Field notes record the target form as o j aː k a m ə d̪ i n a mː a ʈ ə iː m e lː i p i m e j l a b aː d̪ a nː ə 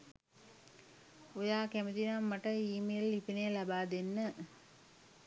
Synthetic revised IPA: o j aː k æ m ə t̪ i n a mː a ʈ ə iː m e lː i p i n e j l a b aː d̪ e nː ə